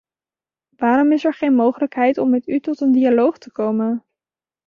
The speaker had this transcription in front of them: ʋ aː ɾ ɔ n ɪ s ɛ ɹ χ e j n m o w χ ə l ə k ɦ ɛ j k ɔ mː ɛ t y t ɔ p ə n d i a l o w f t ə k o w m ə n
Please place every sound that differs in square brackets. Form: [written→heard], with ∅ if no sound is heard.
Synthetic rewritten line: ʋ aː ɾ ɔ [n→m] ɪ s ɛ ɹ χ e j n m o w χ ə l ə k ɦ ɛ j [k→t] ɔ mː ɛ t y t ɔ [p→t] ə n d i a l o w [f→χ] t ə k o w m ə n